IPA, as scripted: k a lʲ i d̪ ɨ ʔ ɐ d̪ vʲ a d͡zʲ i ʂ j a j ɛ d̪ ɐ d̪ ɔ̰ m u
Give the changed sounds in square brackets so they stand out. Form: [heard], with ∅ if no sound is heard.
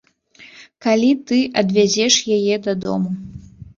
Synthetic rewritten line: k a lʲ i [t̪] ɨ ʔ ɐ d̪ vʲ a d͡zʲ [ɛ] ʂ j a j ɛ d̪ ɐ d̪ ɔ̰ m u